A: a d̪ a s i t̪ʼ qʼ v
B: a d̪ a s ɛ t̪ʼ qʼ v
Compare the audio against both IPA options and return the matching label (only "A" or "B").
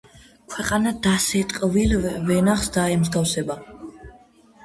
B